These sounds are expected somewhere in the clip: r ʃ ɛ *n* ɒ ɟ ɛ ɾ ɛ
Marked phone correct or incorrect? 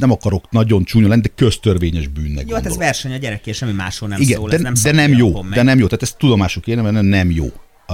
incorrect